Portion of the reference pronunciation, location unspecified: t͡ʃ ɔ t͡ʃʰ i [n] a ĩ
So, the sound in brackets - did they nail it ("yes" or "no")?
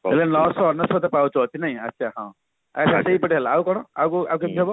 yes